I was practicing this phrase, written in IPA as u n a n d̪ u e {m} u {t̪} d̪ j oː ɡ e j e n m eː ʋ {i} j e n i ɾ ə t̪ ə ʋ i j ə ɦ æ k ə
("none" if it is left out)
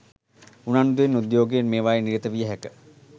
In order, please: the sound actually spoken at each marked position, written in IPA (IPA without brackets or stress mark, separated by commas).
n, none, a